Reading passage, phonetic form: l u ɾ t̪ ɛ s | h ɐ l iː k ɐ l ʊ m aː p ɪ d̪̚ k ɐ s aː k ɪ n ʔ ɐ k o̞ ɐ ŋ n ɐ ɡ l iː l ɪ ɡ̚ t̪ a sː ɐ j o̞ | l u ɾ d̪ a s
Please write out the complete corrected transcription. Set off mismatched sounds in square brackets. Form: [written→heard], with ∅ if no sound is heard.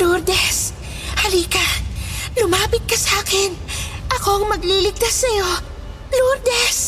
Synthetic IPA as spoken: l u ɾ [t̪→d̪] ɛ s | h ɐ l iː k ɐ l ʊ m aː p ɪ [d̪̚→t̪̚] k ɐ s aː k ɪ n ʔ ɐ k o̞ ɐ ŋ [n→m] ɐ ɡ l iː l ɪ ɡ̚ t̪ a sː ɐ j o̞ | l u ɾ d̪ [a→ɛ] s